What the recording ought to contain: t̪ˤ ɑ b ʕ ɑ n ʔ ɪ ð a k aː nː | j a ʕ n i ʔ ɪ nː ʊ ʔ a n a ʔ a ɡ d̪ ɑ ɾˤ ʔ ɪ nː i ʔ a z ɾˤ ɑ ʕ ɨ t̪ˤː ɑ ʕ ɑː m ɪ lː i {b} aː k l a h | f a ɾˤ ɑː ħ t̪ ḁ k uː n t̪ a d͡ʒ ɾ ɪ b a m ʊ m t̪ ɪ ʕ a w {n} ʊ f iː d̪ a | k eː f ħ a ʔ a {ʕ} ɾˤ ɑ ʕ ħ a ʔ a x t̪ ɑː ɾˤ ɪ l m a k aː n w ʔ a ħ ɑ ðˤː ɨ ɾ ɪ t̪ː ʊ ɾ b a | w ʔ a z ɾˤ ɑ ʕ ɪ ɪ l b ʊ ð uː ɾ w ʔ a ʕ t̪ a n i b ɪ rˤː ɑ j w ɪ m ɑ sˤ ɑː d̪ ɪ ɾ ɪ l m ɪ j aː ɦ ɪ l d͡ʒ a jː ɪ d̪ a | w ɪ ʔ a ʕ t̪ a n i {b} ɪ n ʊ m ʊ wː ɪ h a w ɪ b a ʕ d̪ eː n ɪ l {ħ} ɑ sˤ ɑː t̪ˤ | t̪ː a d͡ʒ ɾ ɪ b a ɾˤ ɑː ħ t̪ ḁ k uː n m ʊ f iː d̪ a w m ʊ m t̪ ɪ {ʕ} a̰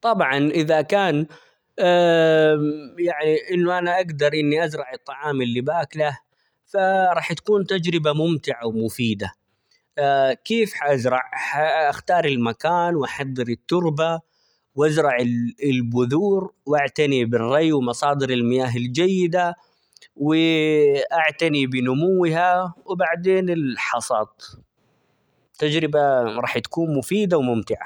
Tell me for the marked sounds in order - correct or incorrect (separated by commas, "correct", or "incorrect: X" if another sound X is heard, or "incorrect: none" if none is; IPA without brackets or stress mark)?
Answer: correct, incorrect: m, incorrect: z, correct, correct, correct